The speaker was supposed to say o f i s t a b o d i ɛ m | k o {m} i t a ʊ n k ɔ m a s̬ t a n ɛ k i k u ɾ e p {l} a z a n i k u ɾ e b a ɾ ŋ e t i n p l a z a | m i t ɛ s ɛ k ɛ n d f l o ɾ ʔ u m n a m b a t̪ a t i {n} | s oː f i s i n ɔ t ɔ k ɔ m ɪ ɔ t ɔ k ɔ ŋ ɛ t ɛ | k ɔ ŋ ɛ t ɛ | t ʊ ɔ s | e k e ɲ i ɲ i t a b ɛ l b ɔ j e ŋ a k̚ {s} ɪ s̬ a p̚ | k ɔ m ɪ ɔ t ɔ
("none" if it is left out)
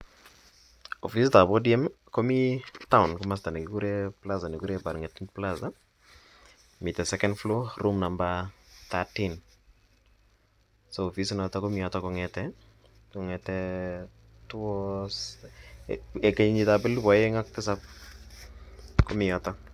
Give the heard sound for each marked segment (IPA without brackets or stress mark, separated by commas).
m, l, n, t